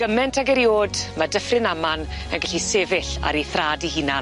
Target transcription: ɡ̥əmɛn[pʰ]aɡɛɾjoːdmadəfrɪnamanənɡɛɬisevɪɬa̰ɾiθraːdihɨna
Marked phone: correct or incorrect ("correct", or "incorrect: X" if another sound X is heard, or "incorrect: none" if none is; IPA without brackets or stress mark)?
incorrect: tʰ